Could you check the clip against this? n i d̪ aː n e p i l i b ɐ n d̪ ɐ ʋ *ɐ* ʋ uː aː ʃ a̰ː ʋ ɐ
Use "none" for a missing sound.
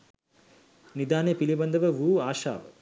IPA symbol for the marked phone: ɐ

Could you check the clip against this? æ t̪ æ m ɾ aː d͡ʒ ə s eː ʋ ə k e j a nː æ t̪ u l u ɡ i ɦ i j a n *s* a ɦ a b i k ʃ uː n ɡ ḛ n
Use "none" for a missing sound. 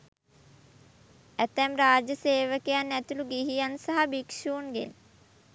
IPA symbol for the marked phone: s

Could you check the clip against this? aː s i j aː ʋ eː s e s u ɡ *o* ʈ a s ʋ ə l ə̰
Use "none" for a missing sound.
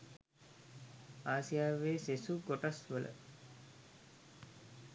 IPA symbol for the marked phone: o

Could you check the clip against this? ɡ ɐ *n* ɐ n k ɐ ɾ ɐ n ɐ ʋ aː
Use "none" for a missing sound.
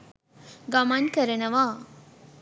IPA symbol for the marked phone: m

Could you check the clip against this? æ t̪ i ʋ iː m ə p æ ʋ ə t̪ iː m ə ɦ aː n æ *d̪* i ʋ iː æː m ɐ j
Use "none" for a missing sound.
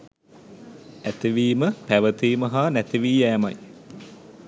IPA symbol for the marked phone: t̪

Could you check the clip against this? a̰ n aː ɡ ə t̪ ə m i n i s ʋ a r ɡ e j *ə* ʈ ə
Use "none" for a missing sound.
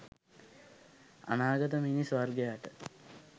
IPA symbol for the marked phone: a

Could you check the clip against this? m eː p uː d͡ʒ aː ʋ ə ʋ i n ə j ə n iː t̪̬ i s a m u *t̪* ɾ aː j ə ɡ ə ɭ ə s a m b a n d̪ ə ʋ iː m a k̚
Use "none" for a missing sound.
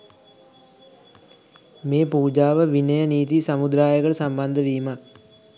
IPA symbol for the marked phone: d̪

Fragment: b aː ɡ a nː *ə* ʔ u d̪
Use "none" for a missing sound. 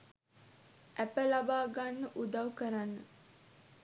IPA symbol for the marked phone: ə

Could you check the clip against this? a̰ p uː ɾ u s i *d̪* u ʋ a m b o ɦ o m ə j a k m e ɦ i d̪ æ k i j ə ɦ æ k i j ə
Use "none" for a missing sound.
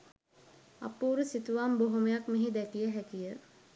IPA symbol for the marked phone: t̪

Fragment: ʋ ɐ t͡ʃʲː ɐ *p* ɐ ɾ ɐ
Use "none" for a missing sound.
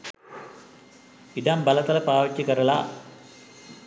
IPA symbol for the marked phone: k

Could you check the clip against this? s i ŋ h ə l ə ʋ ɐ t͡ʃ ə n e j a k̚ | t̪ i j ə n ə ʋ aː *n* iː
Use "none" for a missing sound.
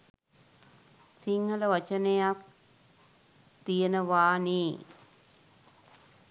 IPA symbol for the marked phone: n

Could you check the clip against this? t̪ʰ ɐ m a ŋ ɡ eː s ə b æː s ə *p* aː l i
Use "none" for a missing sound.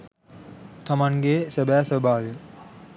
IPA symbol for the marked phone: b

